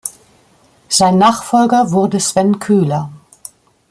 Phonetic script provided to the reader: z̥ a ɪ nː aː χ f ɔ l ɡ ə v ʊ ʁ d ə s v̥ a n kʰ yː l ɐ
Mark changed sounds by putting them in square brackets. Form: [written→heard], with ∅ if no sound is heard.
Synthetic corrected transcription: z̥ a ɪ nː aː χ f ɔ l ɡ [ə→ɐ] v ʊ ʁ d ə s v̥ [a→ɛ] n kʰ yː l ɐ